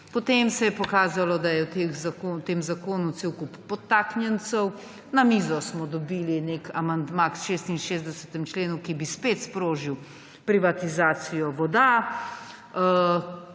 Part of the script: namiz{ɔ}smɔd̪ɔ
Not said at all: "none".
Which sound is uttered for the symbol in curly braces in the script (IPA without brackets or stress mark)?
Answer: ɔ